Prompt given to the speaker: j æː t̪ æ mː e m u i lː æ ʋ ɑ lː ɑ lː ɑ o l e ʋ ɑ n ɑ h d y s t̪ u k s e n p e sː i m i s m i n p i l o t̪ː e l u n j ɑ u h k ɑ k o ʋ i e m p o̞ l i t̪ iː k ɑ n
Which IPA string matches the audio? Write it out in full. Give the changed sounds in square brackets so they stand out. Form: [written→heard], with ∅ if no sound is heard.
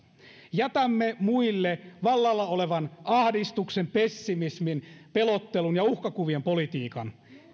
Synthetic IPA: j [æː→æ] t̪ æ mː e m u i lː [æ→e] ʋ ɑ lː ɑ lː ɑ o l e ʋ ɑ n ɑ h d [y→i] s t̪ u k s e [n→m] p e sː i m i s m i n p [i→e] l o t̪ː e l u n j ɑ u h k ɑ k [o→u] ʋ i e m p o̞ l i t̪ iː k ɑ n

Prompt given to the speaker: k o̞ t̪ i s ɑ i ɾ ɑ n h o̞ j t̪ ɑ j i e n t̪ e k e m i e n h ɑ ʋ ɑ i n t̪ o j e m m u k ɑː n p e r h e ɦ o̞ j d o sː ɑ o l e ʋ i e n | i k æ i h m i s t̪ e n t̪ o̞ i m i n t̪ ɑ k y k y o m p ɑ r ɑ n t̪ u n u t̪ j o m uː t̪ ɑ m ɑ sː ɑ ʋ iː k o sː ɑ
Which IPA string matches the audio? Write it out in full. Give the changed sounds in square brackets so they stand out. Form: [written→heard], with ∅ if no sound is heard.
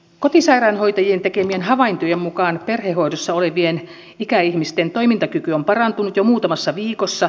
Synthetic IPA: k o̞ t̪ i s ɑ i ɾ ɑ n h o̞ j t̪ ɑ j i e n t̪ e k e m i e n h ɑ ʋ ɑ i n t̪ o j e m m u k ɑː n p e r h e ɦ o̞ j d o sː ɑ o l e ʋ i e n | i k æ i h m i s t̪ e n t̪ o̞ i m i n t̪ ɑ k y k y o m p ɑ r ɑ n t̪ u n u t̪ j o m uː t̪ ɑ m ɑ sː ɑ ʋ iː k o sː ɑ

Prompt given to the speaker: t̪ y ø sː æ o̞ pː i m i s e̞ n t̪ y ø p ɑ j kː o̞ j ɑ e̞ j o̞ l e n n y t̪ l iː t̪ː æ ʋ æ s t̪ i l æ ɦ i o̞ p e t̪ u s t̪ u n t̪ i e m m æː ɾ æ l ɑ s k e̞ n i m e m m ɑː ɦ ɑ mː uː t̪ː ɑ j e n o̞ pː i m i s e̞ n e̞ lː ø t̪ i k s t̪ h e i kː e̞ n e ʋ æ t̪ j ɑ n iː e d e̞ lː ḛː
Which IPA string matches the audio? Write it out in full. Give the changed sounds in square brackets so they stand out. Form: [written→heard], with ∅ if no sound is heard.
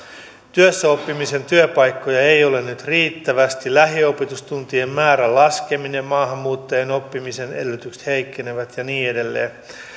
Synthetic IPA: t̪ y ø sː æ o̞ pː i m i s e̞ n t̪ y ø p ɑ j kː o̞ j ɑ e̞ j o̞ l e n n y t̪ [l→r] iː t̪ː æ ʋ æ s t̪ i l æ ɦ i o̞ p e t̪ u s t̪ u n t̪ i e m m æː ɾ æ l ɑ s k e̞ [n→m] i [m→n] e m m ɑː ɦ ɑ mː uː t̪ː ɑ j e n o̞ pː i m i s e̞ n e̞ lː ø t̪ [i→y] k s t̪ h e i kː e̞ n e ʋ æ t̪ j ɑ n iː e d e̞ lː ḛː

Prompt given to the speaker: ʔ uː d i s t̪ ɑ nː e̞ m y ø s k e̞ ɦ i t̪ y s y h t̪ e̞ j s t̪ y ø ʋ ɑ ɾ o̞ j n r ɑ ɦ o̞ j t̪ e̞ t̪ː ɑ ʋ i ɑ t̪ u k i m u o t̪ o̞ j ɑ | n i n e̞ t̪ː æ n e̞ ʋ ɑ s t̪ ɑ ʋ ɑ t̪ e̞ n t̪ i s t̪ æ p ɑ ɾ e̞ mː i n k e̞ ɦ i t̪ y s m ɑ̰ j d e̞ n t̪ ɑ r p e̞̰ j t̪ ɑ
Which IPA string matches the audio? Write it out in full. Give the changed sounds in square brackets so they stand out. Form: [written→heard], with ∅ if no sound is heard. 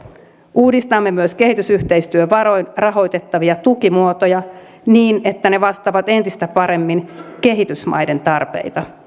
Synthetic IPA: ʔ uː d i s t̪ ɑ [nː→mː] e̞ m y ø s k e̞ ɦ i t̪ y s y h t̪ e̞ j s t̪ y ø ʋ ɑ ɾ o̞ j n r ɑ ɦ o̞ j t̪ e̞ t̪ː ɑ ʋ i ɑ t̪ u k i m u o t̪ o̞ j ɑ | n [i→iː] n e̞ t̪ː æ n e̞ ʋ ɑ s t̪ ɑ ʋ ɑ t̪ e̞ n t̪ i s t̪ æ p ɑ ɾ e̞ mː i n k e̞ ɦ i t̪ y s m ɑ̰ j d e̞ n t̪ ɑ r p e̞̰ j t̪ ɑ

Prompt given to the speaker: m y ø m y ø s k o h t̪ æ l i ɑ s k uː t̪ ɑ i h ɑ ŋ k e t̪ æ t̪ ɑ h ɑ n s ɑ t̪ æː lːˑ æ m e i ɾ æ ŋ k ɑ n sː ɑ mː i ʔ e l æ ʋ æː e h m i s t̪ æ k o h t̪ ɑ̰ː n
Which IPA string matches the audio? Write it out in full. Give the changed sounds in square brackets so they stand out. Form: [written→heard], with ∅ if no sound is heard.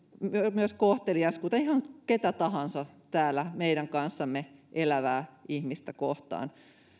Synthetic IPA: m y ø m y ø s k o h t̪ [æ→e] l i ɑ s k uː t̪ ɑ i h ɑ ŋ k e t̪ æ t̪ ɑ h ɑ n s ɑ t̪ æː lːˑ æ m e i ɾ æ ŋ k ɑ n sː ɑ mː [i→e] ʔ e l æ ʋ æː [e→i] h m i s t̪ æ k o h t̪ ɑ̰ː n

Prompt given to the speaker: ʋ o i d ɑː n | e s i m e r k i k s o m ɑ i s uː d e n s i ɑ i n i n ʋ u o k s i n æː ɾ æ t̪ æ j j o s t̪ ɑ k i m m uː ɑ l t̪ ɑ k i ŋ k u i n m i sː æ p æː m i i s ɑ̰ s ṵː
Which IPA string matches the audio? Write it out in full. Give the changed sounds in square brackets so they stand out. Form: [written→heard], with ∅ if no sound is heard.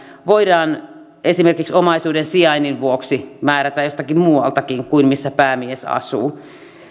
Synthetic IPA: ʋ o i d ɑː n | e s i m e r k i k s o m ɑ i s uː d e n s i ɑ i n i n ʋ u o k s i [n→m] æː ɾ æ t̪ æ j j o s t̪ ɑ k i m m uː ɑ l t̪ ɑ k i ŋ k u i n m i sː æ p æː m i [i→e] s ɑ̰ s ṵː

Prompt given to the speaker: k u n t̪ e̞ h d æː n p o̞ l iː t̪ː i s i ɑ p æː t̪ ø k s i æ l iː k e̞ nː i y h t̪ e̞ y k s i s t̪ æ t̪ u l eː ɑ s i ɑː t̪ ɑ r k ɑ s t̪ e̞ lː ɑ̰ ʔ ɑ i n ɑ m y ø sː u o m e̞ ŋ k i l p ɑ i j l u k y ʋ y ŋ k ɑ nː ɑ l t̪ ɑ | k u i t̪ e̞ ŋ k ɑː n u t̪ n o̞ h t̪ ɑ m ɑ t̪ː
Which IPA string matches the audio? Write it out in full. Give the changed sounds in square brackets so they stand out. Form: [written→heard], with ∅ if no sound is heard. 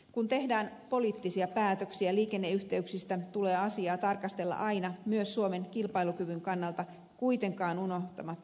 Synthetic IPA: k u n t̪ e̞ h d æː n p o̞ l iː t̪ː i s i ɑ p æː t̪ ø k s i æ l iː k e̞ nː [i→e] y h t̪ e̞ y k s i s t̪ æ t̪ u l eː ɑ s i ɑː t̪ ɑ r k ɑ s t̪ e̞ lː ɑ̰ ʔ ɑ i n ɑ m y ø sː u o m e̞ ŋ k i l p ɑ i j l u k y ʋ y ŋ k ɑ nː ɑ l t̪ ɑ | k u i t̪ e̞ ŋ k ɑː n u [t̪→∅] n o̞ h t̪ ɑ m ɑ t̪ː

